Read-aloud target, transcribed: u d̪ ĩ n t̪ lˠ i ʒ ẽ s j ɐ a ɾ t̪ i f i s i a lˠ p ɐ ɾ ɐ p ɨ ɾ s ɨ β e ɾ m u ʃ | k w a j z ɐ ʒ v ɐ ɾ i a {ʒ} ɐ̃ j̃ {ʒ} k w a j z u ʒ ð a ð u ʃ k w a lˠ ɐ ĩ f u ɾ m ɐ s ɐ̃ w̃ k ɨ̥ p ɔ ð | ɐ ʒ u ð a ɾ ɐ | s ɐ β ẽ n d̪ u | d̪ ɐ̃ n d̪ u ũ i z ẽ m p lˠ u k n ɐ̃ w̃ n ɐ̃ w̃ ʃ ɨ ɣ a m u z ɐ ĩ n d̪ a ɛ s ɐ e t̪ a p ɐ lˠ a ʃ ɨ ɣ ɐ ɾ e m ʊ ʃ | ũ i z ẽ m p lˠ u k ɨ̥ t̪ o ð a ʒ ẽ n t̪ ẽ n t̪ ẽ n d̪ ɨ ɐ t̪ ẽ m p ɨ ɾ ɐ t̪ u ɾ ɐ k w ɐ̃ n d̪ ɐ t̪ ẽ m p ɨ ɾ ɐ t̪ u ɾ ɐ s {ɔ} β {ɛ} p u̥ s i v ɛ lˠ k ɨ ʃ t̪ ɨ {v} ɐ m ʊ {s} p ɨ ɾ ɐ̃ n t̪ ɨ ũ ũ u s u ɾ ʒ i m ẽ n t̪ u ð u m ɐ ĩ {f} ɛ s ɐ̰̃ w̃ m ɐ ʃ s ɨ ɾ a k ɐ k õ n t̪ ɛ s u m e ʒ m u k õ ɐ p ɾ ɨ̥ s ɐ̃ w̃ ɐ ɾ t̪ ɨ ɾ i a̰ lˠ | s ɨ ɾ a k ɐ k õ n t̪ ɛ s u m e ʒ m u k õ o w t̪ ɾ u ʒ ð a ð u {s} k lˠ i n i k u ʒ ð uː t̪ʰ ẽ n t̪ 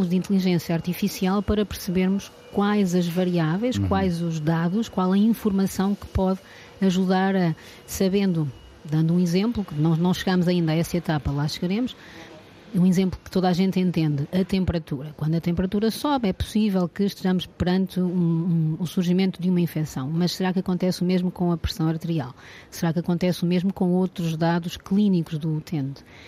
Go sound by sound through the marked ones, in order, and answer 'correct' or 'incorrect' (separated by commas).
incorrect, incorrect, correct, correct, incorrect, incorrect, correct, incorrect